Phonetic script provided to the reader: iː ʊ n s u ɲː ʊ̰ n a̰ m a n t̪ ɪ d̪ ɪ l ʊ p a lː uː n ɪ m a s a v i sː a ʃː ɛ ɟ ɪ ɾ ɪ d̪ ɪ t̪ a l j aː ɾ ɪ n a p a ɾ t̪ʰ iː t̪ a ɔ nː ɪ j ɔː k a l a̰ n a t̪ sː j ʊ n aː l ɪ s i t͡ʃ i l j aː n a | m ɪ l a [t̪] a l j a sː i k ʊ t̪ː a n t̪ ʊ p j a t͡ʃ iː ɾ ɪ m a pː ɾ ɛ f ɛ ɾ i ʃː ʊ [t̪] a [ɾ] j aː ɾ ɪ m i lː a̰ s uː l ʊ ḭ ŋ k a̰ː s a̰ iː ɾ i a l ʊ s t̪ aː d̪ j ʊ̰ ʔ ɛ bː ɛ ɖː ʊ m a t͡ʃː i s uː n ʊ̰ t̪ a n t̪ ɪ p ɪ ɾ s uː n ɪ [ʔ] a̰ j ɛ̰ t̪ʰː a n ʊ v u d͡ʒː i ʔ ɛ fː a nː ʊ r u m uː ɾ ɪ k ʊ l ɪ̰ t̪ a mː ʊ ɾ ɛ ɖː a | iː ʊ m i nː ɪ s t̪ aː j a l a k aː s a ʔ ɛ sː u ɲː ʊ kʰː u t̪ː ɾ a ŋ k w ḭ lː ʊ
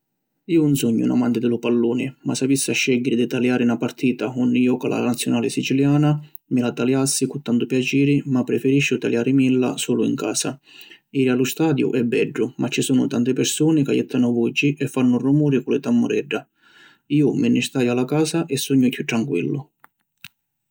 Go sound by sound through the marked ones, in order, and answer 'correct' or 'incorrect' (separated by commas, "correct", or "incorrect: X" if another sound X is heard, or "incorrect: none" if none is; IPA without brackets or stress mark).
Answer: correct, correct, incorrect: l, incorrect: k